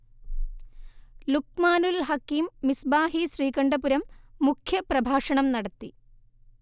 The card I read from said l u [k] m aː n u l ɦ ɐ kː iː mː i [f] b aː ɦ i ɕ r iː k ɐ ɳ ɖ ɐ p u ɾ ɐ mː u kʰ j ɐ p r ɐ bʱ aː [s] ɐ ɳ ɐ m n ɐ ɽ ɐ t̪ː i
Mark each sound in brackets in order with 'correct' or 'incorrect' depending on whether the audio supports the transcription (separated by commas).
correct, incorrect, incorrect